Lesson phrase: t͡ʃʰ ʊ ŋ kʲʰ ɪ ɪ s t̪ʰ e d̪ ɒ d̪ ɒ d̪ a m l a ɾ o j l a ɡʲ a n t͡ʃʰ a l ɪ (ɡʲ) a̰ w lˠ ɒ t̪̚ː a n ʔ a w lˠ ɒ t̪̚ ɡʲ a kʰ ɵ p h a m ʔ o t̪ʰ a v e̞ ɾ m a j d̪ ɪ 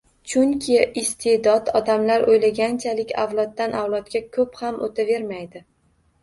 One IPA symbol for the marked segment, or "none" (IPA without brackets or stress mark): kʲ